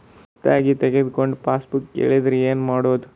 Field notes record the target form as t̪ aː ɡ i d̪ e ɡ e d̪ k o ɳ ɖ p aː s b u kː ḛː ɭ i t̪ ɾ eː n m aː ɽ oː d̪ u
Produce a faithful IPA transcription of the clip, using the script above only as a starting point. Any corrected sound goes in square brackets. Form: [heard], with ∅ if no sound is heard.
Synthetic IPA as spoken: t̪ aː ɡ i [t̪] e ɡ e d̪ k o ɳ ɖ p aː s b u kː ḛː ɭ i [d̪] ɾ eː n m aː ɽ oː d̪ u

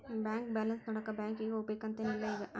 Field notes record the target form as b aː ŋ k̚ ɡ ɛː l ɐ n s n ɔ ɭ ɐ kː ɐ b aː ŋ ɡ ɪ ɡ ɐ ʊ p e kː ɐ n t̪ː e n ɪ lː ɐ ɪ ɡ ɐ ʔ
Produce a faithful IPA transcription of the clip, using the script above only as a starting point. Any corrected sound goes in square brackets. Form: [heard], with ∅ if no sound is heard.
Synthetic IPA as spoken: b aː ŋ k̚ [b] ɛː l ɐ n s n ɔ [ɽ] ɐ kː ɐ b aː ŋ [k] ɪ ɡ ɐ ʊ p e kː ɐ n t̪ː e n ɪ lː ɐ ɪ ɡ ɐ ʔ

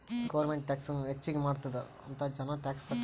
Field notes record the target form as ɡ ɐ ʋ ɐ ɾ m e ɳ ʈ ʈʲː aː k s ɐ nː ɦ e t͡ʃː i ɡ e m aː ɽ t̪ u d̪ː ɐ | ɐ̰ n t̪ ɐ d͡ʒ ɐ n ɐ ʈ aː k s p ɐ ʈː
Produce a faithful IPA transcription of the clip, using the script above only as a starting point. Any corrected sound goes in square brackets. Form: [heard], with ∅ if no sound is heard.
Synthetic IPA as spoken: ɡ ɐ ʋ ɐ ɾ m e ɳ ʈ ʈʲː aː k s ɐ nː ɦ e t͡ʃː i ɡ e m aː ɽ t̪ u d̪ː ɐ | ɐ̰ n t̪ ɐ d͡ʒ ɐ n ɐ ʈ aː k s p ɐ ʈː

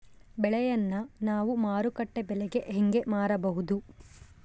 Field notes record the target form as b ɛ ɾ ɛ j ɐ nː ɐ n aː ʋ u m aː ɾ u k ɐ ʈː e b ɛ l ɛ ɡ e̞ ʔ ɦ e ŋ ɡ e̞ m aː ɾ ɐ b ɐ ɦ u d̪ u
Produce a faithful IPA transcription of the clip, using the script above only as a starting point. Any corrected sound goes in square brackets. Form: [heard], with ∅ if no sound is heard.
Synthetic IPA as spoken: b ɛ [ɭ] ɛ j ɐ nː ɐ n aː ʋ u m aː ɾ u k ɐ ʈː e b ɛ l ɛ ɡ e̞ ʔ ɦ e ŋ ɡ e̞ m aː ɾ ɐ b ɐ ɦ u d̪ u

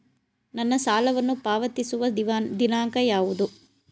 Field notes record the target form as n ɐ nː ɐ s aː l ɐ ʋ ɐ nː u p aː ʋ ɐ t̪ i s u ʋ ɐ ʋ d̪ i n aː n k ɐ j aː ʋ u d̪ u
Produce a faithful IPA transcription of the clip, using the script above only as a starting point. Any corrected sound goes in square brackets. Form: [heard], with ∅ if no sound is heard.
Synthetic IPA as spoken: n ɐ nː ɐ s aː l ɐ ʋ ɐ nː u p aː ʋ ɐ t̪ i s u ʋ ɐ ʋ d̪ i n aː [ŋ] k ɐ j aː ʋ u d̪ u

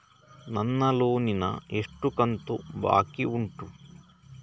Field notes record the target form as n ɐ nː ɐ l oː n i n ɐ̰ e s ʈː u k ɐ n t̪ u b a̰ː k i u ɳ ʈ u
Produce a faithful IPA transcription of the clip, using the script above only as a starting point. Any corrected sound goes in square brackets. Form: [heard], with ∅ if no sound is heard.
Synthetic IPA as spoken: n ɐ nː ɐ l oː n i n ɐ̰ e [ʂ] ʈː u k ɐ n t̪ u b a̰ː k i u ɳ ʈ u

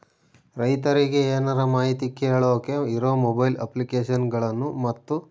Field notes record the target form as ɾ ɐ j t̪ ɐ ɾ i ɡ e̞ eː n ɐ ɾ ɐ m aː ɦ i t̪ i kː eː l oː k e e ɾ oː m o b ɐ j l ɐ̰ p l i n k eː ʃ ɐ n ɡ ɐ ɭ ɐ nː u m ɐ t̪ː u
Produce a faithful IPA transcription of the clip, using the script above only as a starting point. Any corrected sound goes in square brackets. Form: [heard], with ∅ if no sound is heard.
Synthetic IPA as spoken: ɾ ɐ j t̪ ɐ ɾ i ɡ e̞ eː n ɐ ɾ ɐ m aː ɦ i t̪ i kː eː [ɭ] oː k e [i] ɾ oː m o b ɐ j l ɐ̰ p l i [∅] k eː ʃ ɐ n ɡ ɐ ɭ ɐ nː u m ɐ t̪ː u

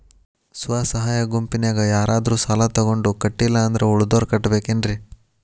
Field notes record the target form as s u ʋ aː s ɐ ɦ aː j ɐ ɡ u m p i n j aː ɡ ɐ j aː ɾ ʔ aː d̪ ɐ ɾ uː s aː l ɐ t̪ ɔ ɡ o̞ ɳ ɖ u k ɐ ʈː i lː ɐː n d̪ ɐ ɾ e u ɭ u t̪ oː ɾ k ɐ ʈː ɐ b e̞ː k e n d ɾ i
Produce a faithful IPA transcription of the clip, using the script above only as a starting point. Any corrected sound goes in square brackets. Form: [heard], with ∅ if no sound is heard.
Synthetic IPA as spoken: s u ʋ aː s ɐ ɦ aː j ɐ ɡ u m p i n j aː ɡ ɐ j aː ɾ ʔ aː d̪ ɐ ɾ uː s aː l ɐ t̪ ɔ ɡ o̞ ɳ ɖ u k ɐ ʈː i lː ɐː n d̪ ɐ ɾ e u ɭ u [d̪] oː ɾ k ɐ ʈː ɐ b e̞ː k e n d ɾ i

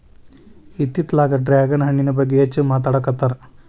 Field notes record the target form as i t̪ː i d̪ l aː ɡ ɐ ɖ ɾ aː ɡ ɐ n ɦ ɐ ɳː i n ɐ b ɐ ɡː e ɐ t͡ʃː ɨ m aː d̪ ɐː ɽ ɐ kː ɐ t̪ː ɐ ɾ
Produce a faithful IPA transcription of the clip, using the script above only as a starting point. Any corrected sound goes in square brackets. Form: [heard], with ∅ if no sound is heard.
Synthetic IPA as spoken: i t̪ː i [t̪] l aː ɡ ɐ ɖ ɾ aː ɡ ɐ n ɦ ɐ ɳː i n ɐ b ɐ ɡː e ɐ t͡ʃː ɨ m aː [t̪] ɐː ɽ ɐ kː ɐ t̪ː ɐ ɾ

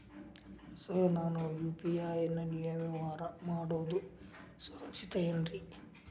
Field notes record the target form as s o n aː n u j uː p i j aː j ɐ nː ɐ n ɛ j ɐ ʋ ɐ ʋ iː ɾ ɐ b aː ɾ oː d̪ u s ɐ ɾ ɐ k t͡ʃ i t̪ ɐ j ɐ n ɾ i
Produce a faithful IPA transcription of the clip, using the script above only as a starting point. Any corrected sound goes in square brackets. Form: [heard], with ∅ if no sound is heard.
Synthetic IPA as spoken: s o n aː n u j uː p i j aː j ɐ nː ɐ n [i] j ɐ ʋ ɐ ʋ [aː] ɾ ɐ [m] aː [ɽ] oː d̪ u s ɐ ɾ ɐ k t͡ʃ i t̪ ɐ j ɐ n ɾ i

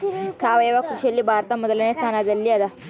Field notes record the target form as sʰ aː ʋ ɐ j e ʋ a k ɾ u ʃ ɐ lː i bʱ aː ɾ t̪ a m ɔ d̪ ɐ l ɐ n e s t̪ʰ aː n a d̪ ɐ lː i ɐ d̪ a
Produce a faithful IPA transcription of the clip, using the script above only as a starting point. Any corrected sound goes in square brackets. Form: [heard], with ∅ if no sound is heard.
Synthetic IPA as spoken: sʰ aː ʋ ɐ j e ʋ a k ɾ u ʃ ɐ lː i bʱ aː ɾ t̪ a m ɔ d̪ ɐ l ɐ n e s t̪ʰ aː n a d̪ ɐ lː i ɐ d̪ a

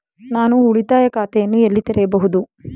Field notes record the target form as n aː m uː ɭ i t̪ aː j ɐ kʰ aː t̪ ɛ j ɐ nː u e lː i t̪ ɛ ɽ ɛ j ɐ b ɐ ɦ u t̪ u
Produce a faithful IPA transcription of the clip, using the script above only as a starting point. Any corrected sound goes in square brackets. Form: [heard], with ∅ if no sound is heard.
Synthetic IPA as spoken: n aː [n] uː ɭ i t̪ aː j ɐ [k] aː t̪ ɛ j ɐ nː u e lː i t̪ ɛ [ɾ] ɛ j ɐ b ɐ ɦ u [d̪] u

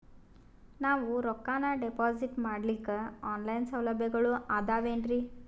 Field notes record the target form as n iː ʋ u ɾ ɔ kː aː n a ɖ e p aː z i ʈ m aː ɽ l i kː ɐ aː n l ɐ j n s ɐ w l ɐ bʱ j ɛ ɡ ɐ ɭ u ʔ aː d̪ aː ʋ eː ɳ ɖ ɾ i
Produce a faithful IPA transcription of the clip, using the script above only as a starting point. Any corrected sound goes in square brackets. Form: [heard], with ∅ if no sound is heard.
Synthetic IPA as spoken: n [aː] ʋ u ɾ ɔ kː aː n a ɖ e p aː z i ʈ m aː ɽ l i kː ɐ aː n l ɐ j n s ɐ w l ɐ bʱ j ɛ ɡ ɐ ɭ u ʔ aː d̪ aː ʋ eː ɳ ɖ ɾ i

